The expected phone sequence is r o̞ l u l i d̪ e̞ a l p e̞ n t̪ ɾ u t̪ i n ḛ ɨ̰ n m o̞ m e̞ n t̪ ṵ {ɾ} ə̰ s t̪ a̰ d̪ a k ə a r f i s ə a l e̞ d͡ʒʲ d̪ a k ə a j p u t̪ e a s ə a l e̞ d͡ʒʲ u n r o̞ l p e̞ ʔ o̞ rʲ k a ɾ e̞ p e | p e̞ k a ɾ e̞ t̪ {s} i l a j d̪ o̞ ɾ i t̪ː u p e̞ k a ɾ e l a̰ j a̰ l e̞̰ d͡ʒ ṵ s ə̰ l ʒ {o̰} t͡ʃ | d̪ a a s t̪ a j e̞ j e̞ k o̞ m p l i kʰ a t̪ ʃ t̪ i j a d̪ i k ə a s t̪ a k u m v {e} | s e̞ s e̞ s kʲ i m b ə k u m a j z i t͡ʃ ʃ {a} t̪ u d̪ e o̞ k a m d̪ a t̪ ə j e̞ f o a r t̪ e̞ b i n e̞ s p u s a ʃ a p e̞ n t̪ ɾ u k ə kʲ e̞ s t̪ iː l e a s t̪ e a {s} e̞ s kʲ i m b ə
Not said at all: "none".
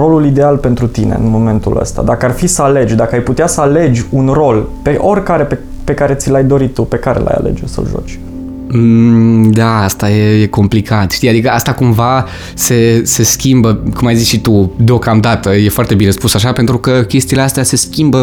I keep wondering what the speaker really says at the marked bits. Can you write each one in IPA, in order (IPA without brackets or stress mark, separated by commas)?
l, s, o̰, a, i, s